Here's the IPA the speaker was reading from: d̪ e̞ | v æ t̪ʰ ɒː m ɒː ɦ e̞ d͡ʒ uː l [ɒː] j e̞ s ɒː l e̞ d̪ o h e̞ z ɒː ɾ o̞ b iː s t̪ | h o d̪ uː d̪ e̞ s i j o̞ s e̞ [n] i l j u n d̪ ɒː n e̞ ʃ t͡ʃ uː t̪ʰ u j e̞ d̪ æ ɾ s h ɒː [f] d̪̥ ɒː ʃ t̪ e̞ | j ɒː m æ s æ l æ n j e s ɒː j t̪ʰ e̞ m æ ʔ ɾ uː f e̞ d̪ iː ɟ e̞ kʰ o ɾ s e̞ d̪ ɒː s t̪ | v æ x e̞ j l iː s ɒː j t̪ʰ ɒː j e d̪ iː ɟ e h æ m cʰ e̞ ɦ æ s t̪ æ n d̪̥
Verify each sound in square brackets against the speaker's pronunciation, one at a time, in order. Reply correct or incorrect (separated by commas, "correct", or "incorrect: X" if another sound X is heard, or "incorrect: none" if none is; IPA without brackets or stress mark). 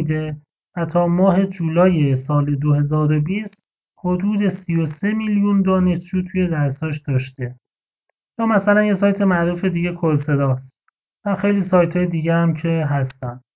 correct, incorrect: m, incorrect: ʃ